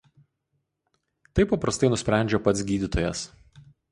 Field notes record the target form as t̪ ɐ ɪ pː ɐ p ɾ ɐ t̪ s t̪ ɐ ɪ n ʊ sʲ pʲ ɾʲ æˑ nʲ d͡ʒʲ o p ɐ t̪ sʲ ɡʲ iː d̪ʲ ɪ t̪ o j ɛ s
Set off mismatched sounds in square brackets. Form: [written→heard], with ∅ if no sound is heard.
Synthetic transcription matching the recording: t̪ ɐ ɪ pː ɐ p ɾ ɐ [t̪→∅] s t̪ ɐ ɪ n ʊ sʲ pʲ ɾʲ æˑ nʲ d͡ʒʲ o p ɐ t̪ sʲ ɡʲ iː d̪ʲ ɪ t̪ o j ɛ s